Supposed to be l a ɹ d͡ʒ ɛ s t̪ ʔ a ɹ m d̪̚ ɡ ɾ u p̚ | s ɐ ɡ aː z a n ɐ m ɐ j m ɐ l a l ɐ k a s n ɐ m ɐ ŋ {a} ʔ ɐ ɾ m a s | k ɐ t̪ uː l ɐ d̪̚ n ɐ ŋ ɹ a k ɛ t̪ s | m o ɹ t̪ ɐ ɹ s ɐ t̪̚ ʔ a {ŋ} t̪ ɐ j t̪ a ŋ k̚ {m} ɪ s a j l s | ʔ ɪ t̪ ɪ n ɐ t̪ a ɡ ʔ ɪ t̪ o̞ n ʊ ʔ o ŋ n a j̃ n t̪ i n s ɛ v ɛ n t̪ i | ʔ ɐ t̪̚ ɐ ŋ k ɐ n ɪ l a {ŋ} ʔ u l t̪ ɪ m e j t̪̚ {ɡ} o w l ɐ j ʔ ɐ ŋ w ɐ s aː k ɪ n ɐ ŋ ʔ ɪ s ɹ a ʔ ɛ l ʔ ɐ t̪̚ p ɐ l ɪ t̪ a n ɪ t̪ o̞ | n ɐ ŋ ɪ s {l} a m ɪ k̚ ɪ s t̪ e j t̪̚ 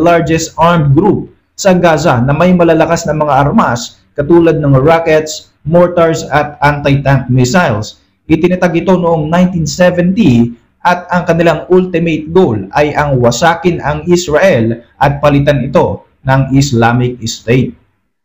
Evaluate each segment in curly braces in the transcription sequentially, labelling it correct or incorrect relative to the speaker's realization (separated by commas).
correct, incorrect, correct, correct, correct, correct